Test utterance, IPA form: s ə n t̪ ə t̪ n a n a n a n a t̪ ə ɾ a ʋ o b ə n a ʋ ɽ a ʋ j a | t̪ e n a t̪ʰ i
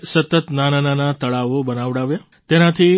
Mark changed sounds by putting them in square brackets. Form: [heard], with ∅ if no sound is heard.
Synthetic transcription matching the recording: s ə [∅] t̪ ə t̪ n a n a n a n a t̪ ə [ɭ] a ʋ o b ə n a ʋ ɽ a ʋ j a | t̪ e n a t̪ʰ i